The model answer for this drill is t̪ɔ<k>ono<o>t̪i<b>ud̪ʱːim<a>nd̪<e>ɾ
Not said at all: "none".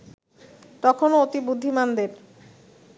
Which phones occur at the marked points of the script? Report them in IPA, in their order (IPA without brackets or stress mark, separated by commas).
kʰ, o, b, a, e